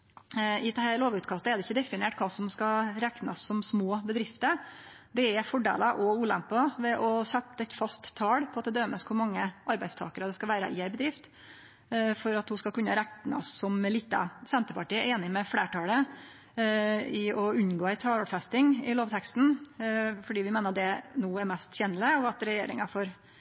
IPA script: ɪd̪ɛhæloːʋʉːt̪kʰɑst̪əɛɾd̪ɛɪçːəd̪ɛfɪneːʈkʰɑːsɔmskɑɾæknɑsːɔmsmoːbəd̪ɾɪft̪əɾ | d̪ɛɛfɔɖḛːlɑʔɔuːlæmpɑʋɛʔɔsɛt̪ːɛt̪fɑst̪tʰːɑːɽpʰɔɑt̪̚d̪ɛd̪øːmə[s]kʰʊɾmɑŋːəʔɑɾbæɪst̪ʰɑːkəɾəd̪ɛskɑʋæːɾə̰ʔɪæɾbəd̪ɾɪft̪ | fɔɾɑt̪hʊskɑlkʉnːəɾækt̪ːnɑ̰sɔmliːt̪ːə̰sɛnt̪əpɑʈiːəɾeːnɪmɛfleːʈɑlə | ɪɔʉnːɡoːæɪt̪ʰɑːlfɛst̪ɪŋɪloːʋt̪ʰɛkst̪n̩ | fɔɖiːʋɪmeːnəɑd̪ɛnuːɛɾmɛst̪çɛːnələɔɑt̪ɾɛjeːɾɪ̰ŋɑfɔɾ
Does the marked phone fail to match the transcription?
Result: no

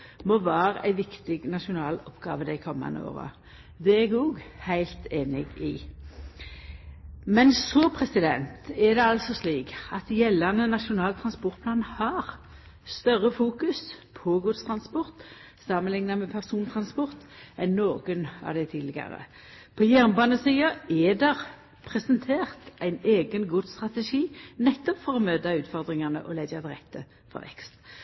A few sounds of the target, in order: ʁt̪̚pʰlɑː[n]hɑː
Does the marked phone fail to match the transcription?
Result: no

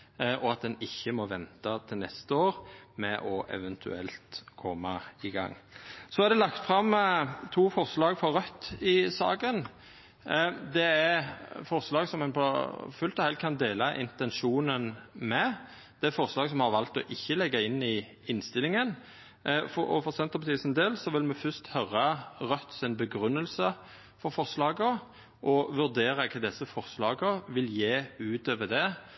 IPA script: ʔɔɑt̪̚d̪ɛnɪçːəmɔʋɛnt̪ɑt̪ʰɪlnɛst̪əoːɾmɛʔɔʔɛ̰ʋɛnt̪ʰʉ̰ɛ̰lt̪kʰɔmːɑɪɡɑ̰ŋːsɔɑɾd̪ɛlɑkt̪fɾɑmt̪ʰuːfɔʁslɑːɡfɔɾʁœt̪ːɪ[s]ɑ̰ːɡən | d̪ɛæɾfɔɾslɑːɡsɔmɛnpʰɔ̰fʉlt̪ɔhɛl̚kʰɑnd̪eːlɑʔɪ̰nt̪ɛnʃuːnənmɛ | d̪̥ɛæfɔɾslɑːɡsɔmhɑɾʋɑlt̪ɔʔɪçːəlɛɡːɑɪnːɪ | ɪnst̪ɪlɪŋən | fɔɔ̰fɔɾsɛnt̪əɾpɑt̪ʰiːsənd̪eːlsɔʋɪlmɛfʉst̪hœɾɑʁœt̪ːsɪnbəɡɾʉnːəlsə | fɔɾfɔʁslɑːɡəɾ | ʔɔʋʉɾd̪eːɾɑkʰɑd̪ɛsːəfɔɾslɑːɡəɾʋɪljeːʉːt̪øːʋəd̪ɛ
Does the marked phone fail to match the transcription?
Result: no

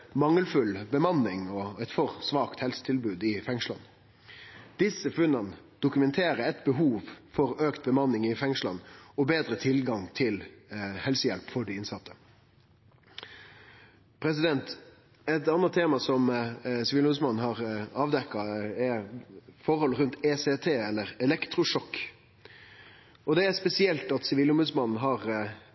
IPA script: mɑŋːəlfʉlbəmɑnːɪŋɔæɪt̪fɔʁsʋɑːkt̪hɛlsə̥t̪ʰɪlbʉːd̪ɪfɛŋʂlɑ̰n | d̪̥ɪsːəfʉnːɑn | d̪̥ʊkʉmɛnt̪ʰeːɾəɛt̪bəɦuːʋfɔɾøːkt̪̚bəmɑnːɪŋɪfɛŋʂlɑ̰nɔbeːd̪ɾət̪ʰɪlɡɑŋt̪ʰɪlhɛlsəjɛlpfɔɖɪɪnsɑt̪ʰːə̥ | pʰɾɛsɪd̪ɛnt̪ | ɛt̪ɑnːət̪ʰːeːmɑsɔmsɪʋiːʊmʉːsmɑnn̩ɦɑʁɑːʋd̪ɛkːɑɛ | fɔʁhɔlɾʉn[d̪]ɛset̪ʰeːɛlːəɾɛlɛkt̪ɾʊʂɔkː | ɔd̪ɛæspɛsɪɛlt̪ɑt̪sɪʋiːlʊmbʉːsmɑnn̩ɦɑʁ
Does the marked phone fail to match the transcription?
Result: yes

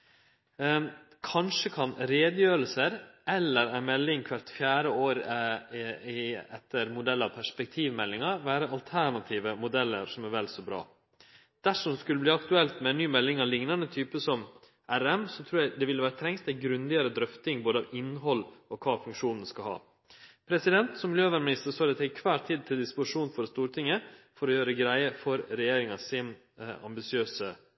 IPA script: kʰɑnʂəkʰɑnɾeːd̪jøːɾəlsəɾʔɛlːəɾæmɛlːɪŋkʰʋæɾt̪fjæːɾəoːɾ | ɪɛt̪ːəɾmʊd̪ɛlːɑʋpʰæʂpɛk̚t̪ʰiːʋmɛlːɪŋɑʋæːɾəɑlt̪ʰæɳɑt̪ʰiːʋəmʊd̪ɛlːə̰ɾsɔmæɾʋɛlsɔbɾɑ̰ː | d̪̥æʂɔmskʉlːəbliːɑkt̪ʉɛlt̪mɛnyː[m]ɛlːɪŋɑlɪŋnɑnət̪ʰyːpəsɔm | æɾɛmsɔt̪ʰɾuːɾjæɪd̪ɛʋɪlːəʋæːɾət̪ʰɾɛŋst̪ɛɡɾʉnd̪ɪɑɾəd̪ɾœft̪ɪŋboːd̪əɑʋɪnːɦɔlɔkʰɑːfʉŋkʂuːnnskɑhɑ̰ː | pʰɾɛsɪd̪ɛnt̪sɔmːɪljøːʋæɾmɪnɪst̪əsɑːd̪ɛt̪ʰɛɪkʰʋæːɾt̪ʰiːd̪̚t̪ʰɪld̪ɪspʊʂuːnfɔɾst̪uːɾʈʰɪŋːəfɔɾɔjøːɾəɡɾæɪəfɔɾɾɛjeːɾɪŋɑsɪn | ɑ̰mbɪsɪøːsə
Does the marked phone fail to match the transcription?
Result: no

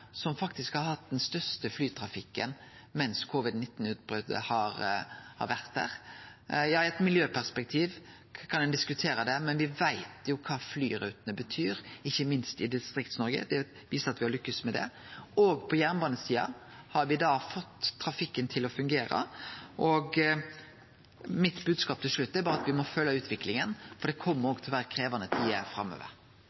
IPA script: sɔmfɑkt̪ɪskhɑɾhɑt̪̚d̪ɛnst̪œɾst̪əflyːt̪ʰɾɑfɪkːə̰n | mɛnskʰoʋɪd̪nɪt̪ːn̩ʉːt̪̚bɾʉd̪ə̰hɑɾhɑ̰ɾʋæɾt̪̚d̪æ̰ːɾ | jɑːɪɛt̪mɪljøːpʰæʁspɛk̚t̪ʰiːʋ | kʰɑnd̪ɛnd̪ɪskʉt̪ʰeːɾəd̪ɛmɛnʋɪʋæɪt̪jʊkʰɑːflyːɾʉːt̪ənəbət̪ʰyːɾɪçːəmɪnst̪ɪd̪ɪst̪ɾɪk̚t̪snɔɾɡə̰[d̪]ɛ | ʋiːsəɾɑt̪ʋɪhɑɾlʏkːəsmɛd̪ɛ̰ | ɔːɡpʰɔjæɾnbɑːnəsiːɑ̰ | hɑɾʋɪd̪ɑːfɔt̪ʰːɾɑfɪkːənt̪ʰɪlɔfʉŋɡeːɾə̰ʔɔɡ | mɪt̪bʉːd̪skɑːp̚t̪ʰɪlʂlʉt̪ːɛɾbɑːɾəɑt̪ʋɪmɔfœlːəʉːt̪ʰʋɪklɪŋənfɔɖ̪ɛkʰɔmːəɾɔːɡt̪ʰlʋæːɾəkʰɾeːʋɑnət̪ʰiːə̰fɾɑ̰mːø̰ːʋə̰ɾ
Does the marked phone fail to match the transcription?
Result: no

